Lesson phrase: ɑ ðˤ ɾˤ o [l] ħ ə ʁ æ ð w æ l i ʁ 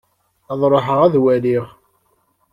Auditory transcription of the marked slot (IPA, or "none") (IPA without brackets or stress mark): none